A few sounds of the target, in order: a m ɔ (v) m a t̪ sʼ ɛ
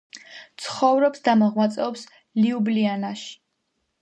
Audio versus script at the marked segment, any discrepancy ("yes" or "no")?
yes